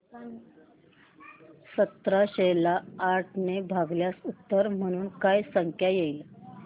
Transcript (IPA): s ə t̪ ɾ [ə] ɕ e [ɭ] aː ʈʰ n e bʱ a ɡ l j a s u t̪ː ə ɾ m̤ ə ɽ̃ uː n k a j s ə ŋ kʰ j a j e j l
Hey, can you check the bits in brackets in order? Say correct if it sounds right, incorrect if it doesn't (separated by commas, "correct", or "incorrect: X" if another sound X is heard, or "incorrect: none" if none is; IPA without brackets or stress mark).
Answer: incorrect: a, incorrect: l